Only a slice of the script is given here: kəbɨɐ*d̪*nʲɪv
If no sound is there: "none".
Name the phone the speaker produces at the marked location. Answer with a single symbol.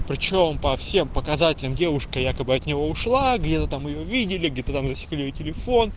t̪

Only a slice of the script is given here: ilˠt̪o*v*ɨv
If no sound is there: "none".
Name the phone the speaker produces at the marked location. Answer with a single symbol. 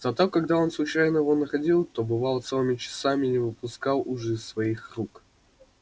b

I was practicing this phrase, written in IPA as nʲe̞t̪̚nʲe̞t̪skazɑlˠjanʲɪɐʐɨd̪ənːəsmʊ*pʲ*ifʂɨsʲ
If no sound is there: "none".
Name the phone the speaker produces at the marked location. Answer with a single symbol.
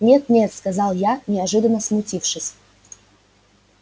tʲ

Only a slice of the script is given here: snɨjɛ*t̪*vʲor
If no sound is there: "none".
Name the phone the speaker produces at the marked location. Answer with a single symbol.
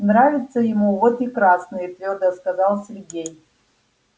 t̪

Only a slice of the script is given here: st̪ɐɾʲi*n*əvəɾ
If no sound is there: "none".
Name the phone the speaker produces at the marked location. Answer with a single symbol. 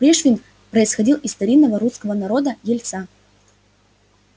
nː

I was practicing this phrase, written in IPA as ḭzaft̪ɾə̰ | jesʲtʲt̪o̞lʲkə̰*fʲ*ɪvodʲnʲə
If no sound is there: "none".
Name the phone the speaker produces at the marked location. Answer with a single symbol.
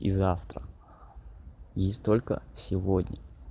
sʲ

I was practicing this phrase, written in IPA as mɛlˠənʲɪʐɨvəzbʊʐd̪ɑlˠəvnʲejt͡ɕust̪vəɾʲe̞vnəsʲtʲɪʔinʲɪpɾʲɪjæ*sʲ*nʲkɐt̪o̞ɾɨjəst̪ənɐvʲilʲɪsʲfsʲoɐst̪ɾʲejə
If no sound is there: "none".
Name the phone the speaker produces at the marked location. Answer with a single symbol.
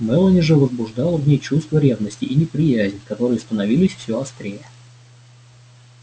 zʲ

